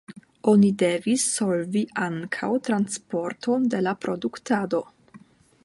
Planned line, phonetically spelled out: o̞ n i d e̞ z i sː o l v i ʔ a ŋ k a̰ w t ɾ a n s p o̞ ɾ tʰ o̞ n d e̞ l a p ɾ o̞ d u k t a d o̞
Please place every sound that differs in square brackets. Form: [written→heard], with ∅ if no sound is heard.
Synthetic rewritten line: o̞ n i d e̞ [z→v] i sː o l v i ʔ a ŋ [k→kʰ] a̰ w t ɾ a n s p o̞ ɾ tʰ o̞ n d e̞ l a p ɾ o̞ d u k t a d o̞